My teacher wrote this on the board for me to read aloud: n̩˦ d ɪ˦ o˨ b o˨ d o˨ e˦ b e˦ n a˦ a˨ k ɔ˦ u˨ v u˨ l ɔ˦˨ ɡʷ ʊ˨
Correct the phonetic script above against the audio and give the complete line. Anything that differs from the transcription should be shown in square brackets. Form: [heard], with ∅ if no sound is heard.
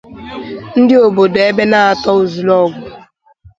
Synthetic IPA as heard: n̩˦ d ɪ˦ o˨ b o˨ d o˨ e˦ b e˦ n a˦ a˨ [t] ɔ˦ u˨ [z] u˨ l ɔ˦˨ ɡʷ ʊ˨